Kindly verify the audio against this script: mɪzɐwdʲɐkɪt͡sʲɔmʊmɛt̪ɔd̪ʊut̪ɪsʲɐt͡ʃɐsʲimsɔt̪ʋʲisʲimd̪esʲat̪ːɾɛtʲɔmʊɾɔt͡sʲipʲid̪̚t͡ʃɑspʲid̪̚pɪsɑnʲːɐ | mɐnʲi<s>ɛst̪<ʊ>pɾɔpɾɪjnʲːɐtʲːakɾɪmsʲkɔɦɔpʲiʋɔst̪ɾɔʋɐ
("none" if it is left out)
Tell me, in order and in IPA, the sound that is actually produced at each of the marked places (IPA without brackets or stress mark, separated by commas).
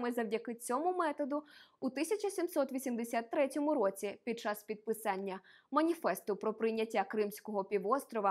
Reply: f, ʊ